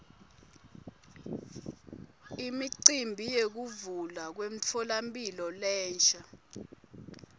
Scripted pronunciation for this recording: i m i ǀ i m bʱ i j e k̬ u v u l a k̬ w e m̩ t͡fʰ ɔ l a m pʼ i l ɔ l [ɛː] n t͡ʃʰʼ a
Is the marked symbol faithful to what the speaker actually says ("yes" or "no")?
yes